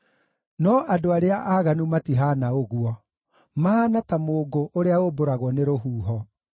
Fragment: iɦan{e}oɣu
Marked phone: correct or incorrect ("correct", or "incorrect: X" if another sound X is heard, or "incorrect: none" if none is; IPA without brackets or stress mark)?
incorrect: a